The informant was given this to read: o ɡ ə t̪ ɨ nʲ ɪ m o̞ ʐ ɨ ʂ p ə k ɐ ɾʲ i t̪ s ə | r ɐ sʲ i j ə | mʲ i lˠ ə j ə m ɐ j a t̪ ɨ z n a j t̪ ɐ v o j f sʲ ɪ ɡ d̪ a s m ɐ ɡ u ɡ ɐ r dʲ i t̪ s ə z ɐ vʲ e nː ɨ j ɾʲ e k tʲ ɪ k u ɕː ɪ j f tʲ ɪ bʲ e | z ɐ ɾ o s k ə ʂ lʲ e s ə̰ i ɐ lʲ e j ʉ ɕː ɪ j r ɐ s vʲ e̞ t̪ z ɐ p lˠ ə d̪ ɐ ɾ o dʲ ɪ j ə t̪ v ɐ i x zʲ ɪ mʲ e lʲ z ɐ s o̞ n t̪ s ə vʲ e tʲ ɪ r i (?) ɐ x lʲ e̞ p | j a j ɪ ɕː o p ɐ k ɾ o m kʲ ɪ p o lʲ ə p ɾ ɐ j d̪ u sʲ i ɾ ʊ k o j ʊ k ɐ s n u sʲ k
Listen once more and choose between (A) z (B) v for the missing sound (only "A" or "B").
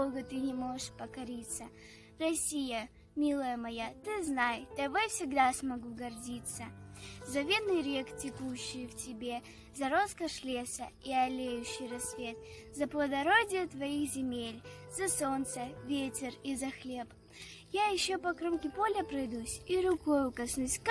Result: A